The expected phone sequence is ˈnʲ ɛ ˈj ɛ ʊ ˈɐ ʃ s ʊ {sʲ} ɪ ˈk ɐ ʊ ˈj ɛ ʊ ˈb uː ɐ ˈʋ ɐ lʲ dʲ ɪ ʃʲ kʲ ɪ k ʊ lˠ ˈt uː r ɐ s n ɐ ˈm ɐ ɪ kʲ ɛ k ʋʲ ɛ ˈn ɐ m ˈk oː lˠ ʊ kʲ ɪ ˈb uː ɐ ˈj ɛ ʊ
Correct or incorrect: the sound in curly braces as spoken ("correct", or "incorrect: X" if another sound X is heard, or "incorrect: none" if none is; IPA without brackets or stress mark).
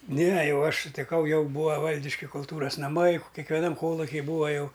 incorrect: tʲ